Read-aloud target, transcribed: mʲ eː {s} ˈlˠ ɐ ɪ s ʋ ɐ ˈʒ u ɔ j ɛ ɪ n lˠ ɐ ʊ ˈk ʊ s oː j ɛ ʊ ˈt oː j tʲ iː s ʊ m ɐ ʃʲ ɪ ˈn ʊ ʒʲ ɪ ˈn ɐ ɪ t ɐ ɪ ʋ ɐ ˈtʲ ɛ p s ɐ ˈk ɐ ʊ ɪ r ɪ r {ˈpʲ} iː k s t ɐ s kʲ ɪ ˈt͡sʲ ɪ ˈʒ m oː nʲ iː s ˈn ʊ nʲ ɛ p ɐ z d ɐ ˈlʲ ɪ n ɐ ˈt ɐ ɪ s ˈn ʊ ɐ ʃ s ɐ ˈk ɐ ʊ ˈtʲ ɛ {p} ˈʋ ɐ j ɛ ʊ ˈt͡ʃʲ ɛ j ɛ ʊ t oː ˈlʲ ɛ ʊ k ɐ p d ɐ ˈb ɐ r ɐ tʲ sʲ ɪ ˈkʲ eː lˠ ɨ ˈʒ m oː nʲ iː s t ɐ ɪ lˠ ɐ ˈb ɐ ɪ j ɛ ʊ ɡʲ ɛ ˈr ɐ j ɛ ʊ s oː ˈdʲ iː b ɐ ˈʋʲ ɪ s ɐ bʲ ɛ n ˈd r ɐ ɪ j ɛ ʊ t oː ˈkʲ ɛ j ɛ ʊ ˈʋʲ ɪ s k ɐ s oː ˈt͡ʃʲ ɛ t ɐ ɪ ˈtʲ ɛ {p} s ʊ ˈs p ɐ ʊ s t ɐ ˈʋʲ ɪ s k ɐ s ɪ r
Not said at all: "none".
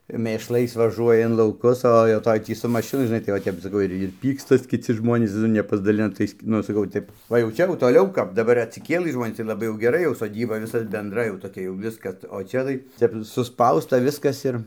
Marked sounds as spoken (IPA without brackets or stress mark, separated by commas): ʃ, pʲ, p, p